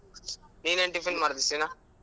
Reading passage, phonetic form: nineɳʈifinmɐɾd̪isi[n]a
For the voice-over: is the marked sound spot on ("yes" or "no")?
yes